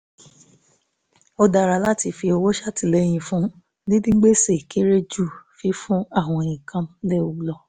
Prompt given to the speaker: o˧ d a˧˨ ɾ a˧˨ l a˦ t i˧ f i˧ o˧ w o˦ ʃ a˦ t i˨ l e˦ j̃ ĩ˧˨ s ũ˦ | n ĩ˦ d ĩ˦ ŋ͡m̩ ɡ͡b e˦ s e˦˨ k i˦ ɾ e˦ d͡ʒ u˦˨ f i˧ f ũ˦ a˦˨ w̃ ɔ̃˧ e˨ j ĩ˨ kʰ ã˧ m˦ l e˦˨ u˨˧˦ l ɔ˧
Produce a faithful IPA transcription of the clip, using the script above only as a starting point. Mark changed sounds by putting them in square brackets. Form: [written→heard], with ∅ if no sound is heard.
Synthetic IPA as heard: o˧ d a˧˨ ɾ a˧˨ l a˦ t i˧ f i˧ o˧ w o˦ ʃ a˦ t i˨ l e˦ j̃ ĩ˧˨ [s→f] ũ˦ | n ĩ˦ d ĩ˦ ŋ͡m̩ ɡ͡b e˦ s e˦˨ k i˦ ɾ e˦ d͡ʒ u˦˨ f i˧ f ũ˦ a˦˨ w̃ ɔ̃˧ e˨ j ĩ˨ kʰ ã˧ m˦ l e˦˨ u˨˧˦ l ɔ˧